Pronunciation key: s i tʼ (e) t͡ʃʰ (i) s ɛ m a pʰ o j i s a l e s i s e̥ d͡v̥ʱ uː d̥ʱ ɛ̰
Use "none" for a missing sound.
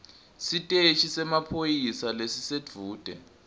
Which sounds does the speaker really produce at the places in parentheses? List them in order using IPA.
e, i

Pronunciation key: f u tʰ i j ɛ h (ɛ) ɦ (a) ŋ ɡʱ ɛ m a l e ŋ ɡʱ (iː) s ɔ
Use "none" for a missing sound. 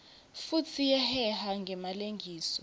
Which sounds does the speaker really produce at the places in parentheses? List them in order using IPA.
ɛ, a, iː

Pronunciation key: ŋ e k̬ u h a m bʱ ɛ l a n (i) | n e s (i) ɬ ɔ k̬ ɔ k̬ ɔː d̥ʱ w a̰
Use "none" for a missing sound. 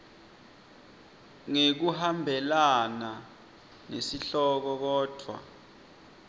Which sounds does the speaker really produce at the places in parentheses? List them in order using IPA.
a, i

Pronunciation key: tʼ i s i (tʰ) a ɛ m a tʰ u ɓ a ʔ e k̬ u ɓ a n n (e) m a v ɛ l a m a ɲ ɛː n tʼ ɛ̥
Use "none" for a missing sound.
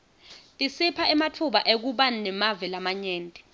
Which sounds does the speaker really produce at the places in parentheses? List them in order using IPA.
pʰ, ɛ

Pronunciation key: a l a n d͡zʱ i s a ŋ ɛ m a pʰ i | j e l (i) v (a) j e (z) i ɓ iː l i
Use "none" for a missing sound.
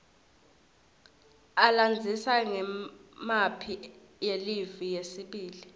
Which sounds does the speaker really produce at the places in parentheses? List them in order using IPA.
i, i, s

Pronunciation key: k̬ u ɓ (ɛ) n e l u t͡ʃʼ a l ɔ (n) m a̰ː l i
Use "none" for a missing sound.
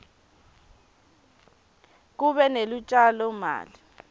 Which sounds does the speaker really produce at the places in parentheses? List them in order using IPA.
ɛ, none

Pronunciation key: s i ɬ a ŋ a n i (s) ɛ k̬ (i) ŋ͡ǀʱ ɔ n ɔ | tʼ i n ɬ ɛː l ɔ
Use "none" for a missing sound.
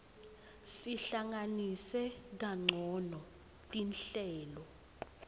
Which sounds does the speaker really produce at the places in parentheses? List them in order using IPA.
s, a

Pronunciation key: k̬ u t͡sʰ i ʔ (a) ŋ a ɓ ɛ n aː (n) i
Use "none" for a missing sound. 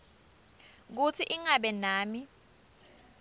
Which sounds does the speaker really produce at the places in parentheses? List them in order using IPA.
i, m

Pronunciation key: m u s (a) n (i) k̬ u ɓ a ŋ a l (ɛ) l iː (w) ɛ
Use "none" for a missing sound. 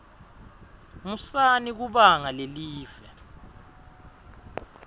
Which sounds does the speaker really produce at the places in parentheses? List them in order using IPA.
a, i, e, v

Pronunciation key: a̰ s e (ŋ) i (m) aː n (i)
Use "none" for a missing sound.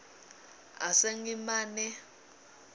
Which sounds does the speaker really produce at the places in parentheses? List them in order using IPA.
ŋ, m, ɛ

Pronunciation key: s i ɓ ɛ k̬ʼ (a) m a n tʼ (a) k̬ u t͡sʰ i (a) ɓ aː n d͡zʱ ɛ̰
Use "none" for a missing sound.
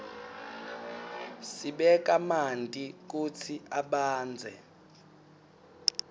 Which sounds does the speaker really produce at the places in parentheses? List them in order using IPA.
a, i, a

